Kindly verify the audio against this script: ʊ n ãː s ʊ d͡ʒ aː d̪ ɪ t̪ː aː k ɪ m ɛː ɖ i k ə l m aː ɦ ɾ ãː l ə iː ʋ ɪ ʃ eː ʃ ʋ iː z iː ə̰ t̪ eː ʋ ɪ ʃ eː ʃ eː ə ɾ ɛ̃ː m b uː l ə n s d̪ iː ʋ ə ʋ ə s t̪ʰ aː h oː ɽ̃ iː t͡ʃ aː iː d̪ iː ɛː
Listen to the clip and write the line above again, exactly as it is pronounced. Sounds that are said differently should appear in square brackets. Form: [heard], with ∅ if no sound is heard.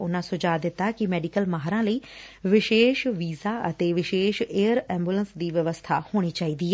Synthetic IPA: ʊ n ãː s ʊ d͡ʒ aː d̪ ɪ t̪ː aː k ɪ m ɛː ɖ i k ə l m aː ɦ ɾ ãː l ə iː ʋ ɪ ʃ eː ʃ ʋ iː z [aː] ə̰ t̪ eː ʋ ɪ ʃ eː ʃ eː ə ɾ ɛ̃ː m b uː l ə n s d̪ iː ʋ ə ʋ ə s t̪ʰ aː h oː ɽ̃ iː t͡ʃ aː iː d̪ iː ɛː

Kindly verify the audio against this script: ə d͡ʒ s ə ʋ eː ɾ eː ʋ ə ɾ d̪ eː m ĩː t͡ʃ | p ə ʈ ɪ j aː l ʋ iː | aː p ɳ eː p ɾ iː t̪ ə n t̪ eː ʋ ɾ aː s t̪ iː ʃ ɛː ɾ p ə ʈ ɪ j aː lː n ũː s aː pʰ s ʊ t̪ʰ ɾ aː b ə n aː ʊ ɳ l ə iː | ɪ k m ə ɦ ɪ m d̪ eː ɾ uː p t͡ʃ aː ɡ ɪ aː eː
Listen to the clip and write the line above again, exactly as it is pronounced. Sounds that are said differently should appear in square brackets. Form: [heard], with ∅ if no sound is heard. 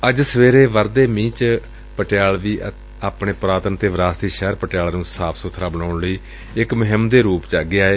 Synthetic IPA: ə d͡ʒ s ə ʋ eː ɾ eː ʋ ə ɾ d̪ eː m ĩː t͡ʃ | p ə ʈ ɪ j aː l ʋ iː | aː p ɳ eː p ɾ [aː] t̪ ə n t̪ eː ʋ ɾ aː s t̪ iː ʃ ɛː ɾ p ə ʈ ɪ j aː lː n ũː s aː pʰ s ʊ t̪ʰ ɾ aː b ə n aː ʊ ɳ l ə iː | ɪ k m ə ɦ ɪ m d̪ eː ɾ uː p t͡ʃ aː ɡ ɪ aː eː

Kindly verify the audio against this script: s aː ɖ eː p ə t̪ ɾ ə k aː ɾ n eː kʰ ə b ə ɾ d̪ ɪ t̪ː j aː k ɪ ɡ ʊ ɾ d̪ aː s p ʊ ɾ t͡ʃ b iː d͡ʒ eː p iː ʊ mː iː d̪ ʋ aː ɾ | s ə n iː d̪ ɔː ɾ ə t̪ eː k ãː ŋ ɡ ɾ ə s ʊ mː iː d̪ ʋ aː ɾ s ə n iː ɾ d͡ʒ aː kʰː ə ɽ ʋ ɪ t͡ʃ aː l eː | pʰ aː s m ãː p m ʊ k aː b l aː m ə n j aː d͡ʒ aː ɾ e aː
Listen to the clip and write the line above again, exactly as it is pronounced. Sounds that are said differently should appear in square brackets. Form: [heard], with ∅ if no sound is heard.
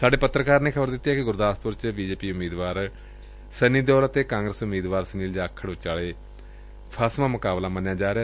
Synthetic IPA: s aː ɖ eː p ə t̪ ɾ ə k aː ɾ n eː kʰ ə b ə ɾ d̪ ɪ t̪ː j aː k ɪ ɡ ʊ ɾ d̪ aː s p ʊ ɾ t͡ʃ b iː d͡ʒ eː p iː ʊ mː iː d̪ ʋ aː ɾ | s ə n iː d̪ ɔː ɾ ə t̪ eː k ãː ŋ ɡ ɾ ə s ʊ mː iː d̪ ʋ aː ɾ s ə n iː [l] d͡ʒ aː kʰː ə ɽ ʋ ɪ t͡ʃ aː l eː | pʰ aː s m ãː [∅] m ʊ k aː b l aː m ə n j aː d͡ʒ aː ɾ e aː

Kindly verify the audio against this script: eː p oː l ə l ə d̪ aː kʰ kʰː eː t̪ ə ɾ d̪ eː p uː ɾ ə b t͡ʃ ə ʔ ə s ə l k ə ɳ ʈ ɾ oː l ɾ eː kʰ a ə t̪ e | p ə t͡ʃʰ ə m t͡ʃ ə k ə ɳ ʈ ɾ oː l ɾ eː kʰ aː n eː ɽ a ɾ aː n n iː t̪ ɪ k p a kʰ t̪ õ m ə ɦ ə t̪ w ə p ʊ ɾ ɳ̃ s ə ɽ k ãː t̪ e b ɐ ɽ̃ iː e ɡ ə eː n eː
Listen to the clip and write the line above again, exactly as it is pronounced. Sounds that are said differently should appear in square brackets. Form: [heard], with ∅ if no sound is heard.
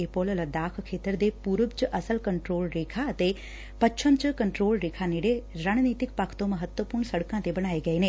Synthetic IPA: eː p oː l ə l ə d̪ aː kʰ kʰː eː t̪ ə ɾ d̪ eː p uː ɾ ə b t͡ʃ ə ʔ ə s ə l k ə ɳ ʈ ɾ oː l ɾ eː kʰ a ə t̪ e | p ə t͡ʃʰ ə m t͡ʃ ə k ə ɳ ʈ ɾ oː l ɾ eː kʰ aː n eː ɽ [e] ɾ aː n n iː t̪ ɪ k p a kʰ t̪ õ m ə ɦ ə t̪ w ə p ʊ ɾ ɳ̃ s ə ɽ k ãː t̪ e b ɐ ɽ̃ [aː] e ɡ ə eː n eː

